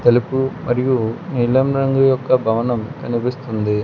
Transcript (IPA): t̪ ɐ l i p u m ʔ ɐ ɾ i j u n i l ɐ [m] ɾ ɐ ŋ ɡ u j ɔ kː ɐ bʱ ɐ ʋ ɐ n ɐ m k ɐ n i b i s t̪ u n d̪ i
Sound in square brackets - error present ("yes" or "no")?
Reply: no